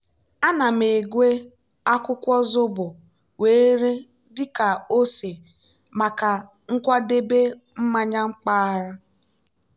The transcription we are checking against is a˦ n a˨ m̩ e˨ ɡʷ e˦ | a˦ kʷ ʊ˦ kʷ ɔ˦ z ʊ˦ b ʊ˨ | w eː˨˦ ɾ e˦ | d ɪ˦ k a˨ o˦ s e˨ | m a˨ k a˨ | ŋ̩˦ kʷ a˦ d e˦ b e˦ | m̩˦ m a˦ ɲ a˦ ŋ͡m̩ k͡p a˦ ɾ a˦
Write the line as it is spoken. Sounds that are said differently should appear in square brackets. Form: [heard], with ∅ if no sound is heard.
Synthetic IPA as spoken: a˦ n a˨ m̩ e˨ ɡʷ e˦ | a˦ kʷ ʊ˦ kʷ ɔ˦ z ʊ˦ b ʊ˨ | w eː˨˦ ɾ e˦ | d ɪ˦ k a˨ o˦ s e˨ | m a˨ k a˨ | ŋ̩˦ kʷ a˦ d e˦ b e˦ | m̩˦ m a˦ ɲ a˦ ŋ͡m̩ k͡p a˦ ɾ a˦